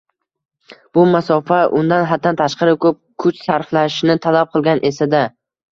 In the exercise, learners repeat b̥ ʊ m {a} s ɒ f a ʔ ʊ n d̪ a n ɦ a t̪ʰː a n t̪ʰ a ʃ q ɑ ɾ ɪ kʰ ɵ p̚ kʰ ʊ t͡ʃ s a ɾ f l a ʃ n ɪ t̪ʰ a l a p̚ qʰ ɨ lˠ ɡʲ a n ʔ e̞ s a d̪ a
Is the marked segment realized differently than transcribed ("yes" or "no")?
no